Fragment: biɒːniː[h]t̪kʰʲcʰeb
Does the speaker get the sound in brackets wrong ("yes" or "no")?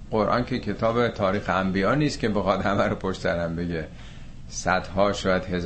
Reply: yes